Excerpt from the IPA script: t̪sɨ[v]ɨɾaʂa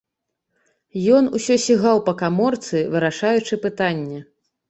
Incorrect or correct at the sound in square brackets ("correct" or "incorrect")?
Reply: correct